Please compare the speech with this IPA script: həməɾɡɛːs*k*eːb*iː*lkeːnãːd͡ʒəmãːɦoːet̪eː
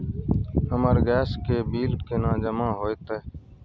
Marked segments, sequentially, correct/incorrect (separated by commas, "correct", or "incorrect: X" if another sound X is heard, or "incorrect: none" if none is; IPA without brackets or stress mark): correct, correct